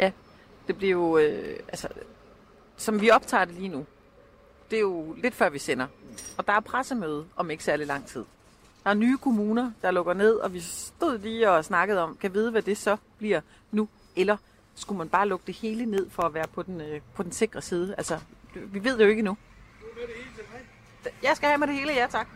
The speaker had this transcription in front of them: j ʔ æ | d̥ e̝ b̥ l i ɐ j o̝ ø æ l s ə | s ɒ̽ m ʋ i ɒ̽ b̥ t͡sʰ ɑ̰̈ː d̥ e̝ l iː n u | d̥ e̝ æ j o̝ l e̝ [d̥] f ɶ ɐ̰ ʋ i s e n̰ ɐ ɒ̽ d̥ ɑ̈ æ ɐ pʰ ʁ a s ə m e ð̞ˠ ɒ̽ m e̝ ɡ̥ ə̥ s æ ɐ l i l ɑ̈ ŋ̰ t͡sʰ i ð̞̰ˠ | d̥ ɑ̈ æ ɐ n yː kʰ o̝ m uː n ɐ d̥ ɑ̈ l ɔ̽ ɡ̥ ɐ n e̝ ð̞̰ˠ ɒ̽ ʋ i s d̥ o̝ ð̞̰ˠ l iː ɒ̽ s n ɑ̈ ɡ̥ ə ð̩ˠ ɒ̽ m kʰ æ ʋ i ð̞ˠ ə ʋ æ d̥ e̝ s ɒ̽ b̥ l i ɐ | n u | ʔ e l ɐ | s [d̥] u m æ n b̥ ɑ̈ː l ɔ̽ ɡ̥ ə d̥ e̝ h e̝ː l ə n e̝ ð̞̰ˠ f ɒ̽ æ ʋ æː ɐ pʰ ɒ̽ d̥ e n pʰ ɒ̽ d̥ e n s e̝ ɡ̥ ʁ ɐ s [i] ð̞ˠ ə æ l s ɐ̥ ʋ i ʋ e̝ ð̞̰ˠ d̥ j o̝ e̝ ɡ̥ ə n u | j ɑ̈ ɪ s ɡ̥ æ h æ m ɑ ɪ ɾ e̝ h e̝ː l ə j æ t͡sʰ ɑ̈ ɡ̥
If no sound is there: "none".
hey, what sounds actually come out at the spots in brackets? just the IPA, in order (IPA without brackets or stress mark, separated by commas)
d̥, ɡ̥, iː